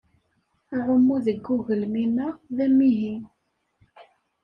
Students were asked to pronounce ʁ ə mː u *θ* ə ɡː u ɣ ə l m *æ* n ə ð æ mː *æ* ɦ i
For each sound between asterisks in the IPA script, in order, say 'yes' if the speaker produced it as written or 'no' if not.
no, no, no

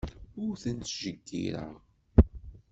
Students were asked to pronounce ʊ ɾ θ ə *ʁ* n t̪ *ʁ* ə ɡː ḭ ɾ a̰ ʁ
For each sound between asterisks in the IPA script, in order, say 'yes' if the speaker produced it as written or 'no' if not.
no, no

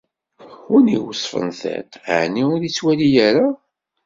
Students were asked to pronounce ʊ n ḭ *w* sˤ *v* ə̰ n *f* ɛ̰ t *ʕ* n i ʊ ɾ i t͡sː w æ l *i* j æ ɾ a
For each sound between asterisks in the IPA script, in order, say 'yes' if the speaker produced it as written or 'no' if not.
yes, no, no, yes, yes

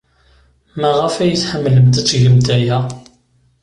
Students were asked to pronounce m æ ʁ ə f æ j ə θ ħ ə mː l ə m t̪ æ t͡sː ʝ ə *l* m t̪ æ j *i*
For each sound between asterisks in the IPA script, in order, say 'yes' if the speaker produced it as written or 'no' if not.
no, no

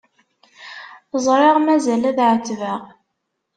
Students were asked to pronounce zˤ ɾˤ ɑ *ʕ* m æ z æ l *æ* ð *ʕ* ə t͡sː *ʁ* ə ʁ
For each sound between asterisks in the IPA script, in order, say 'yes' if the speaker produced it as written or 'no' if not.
no, yes, yes, no

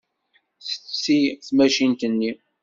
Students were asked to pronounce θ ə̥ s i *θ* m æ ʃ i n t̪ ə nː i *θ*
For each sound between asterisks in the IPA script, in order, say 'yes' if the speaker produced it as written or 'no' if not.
yes, no

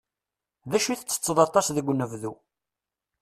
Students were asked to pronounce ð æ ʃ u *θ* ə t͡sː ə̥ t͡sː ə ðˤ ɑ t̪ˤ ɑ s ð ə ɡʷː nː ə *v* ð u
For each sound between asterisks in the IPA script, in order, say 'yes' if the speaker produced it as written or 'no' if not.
yes, yes

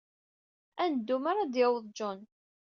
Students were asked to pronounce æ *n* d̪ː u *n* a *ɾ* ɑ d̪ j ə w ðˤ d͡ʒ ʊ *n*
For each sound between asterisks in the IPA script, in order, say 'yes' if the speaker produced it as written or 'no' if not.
yes, no, yes, yes

